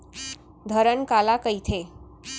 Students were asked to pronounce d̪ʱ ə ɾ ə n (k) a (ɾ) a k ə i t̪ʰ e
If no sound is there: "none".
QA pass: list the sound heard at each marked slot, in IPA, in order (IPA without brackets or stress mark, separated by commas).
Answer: k, l